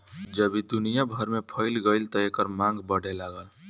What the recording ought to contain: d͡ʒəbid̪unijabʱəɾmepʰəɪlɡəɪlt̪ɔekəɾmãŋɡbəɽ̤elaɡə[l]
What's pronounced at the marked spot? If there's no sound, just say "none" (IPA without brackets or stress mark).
l